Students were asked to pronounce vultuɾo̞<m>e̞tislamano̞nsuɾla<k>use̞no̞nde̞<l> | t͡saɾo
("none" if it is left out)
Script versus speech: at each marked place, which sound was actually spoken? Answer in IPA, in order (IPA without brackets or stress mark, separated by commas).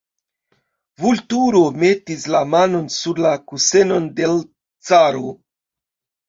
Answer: m, k, l